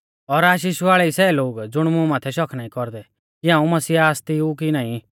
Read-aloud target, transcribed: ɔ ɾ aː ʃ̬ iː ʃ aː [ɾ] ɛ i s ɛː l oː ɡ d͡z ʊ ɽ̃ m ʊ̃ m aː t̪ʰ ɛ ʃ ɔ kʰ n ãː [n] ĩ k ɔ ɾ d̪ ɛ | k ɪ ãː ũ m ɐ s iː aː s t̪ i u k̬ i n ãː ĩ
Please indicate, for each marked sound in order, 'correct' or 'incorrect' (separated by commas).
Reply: incorrect, incorrect